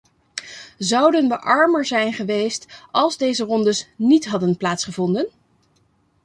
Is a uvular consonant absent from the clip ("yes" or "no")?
no